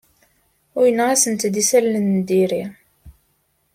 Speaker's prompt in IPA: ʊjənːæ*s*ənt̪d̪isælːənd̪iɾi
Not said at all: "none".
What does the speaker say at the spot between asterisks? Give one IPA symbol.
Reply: s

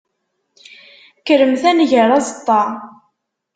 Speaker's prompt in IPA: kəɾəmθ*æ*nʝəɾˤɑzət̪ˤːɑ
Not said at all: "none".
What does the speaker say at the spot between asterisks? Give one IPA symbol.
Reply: æ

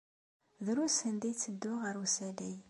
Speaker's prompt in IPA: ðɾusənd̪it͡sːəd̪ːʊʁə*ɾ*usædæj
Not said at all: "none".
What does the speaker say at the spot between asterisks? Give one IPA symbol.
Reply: ɾ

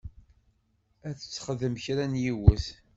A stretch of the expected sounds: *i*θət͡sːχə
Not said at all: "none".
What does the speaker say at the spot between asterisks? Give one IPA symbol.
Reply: æ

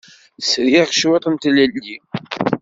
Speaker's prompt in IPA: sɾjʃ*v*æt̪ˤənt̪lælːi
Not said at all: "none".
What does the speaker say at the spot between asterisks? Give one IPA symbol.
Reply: w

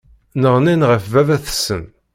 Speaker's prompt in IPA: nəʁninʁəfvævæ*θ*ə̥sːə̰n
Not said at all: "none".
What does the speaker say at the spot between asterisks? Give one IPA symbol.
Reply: θ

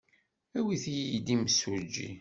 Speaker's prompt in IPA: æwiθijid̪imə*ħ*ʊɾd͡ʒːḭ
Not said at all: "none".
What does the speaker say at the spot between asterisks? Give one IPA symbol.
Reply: s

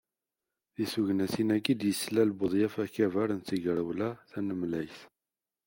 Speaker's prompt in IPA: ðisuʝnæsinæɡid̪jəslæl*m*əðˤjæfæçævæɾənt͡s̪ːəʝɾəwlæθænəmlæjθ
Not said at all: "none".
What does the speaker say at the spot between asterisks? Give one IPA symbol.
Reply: b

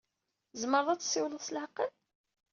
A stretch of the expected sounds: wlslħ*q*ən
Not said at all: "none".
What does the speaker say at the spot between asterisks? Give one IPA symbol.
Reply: q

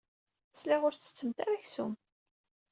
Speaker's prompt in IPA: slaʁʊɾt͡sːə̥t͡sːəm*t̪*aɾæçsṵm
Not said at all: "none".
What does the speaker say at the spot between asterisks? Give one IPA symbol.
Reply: t̪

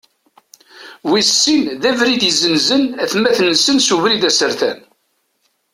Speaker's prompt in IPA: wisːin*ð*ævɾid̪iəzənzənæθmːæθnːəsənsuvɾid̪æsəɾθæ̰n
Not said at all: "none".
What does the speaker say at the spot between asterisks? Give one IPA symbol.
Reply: ð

